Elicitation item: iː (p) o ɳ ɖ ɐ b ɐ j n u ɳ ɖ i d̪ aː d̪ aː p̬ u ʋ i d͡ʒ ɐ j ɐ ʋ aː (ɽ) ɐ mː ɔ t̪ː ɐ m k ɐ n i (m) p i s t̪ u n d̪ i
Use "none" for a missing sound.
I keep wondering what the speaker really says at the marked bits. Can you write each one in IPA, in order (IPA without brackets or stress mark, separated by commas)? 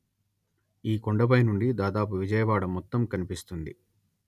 k, ɽ, none